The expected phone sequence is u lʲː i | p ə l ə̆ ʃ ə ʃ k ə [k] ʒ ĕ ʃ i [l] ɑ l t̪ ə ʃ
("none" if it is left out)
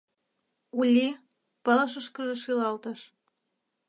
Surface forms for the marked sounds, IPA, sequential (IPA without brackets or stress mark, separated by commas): none, l